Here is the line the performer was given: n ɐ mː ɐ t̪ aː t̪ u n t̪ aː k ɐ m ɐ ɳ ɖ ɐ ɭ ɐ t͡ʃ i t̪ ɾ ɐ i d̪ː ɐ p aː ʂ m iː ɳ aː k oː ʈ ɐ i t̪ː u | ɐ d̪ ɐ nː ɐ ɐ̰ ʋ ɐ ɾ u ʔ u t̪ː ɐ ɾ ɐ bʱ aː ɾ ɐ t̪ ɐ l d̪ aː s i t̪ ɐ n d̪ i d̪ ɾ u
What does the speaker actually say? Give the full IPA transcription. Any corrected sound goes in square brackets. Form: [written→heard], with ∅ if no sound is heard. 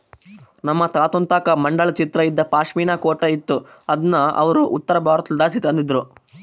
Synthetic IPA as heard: n ɐ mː ɐ t̪ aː t̪ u n t̪ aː k ɐ m ɐ ɳ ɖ ɐ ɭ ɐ t͡ʃ i t̪ ɾ ɐ i d̪ː ɐ p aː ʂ m iː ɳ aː k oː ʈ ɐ i t̪ː u | ɐ d̪ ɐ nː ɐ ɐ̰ ʋ ɐ ɾ u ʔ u t̪ː ɐ ɾ ɐ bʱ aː ɾ ɐ t̪ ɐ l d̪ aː s i t̪ ɐ n d̪ i d̪ ɾ u